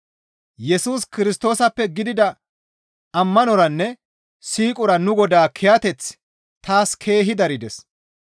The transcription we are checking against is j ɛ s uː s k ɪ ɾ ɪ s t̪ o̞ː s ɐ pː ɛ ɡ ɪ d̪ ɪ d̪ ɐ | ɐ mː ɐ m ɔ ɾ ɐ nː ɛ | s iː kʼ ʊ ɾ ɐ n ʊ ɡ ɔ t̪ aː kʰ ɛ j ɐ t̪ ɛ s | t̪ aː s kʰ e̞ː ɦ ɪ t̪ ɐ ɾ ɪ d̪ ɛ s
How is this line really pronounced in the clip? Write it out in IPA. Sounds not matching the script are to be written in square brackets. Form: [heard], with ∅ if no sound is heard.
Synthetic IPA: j ɛ s uː s k ɪ ɾ ɪ s t̪ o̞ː s ɐ pː ɛ ɡ ɪ d̪ ɪ d̪ ɐ | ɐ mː ɐ [n] ɔ ɾ ɐ nː ɛ | s iː kʼ ʊ ɾ ɐ n ʊ ɡ ɔ [d̪] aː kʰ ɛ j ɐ t̪ ɛ [t͡s] | t̪ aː s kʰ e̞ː ɦ ɪ [d̪] ɐ ɾ ɪ d̪ ɛ s